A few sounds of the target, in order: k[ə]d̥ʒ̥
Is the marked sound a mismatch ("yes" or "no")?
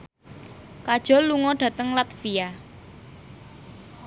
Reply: yes